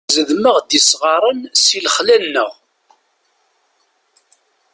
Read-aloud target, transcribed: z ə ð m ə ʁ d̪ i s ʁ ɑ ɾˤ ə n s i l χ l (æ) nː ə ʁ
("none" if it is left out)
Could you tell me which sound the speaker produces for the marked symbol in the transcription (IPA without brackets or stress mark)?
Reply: æ